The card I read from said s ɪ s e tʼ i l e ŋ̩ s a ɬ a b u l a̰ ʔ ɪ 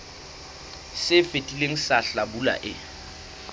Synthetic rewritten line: s ɪ f e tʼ i l e ŋ̩ s a ɬ a b u l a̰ ʔ ɪ

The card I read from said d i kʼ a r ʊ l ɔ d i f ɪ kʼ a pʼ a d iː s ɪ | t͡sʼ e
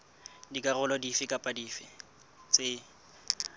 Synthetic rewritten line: d i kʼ a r ʊ l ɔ d i f ɪ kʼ a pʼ a d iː f ɪ | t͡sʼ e

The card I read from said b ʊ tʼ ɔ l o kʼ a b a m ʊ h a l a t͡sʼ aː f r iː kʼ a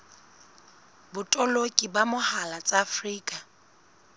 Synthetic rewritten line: b ʊ tʼ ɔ l o kʼ i b a m ʊ h a l a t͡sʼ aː f r iː kʼ a

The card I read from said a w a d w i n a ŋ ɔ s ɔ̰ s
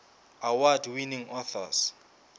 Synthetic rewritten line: a w a d w i n i ŋ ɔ θ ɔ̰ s

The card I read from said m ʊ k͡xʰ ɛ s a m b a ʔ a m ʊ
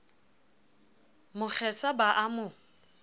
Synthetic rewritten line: m ʊ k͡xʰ ɛ s a b a ʔ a m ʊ

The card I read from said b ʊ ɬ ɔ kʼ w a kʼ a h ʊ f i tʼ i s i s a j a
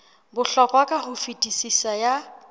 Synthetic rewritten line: b ʊ ɬ ɔ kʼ w a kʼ a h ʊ f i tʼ i s i s a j a

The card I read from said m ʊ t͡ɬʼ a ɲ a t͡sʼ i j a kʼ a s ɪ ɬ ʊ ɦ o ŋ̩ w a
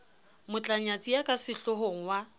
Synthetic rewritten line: m ʊ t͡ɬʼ a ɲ a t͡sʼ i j a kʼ a s ɪ ɬ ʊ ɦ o ŋ̩ w a

